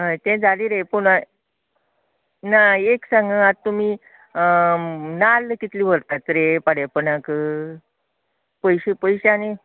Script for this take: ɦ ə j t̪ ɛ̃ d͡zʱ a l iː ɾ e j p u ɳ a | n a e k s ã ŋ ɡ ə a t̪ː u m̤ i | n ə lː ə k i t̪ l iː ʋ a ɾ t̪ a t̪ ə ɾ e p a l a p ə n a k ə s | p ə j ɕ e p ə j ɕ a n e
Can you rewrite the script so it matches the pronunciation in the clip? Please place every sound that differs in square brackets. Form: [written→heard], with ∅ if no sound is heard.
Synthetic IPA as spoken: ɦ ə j t̪ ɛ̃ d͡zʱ a l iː ɾ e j p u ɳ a | n a e k s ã ŋ ɡ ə a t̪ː u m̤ i | n [ə→a] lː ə k i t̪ l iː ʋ [a→ə] ɾ t̪ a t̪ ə ɾ e p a [l→ɽ] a p ə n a k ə [s→∅] | p ə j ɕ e p ə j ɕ a n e